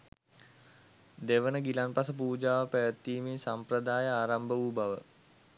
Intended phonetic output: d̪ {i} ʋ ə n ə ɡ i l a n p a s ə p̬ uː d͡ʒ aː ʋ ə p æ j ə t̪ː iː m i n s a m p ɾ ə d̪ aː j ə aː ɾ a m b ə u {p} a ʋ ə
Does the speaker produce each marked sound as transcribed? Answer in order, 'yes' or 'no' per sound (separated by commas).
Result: no, no